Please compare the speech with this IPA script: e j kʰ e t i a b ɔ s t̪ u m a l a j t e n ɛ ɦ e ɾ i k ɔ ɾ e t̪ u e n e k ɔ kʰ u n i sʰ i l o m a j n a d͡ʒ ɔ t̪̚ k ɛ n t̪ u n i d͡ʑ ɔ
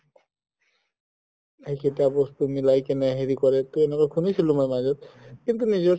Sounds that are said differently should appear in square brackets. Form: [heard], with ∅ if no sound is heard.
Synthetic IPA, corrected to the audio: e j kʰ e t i a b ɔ s t̪ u m [i] l a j [k] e n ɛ ɦ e ɾ i k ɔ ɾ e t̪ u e n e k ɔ kʰ u n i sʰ i l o m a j [m] a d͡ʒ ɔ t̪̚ k [i] n t̪ u n i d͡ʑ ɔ

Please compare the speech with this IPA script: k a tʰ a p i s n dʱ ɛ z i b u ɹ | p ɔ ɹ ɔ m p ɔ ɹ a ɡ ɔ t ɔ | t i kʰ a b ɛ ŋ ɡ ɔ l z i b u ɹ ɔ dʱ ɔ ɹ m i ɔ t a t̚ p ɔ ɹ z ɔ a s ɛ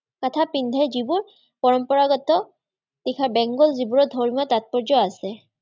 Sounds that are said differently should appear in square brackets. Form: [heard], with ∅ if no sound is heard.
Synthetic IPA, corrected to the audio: k a tʰ a p i [∅] n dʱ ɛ z i b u ɹ | p ɔ ɹ ɔ m p ɔ ɹ a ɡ ɔ t ɔ | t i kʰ a b ɛ ŋ ɡ ɔ l z i b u ɹ ɔ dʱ ɔ ɹ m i ɔ t a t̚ p ɔ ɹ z ɔ a s ɛ

